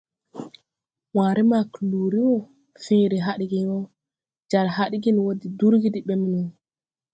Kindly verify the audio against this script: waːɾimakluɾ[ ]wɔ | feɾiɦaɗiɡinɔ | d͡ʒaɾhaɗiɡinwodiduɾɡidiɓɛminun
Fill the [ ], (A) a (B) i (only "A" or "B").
B